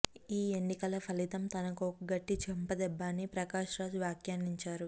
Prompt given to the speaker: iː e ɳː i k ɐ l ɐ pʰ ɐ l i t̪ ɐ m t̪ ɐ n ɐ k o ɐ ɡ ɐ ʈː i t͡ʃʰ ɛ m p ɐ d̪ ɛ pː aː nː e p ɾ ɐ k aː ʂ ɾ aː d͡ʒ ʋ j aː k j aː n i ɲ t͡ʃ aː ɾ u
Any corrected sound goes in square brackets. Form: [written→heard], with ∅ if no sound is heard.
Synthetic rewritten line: iː e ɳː i k ɐ l ɐ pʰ ɐ l i t̪ ɐ m t̪ ɐ n ɐ k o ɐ ɡ ɐ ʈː i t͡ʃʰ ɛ m p ɐ d̪ ɛ [pː→bː] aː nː [e→i] p ɾ ɐ k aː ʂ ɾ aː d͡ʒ ʋ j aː k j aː n i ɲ t͡ʃ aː ɾ u